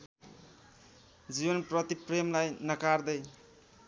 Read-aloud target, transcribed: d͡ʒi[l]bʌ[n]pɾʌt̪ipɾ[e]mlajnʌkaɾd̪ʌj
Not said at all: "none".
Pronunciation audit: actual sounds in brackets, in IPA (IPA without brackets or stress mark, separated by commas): none, n, e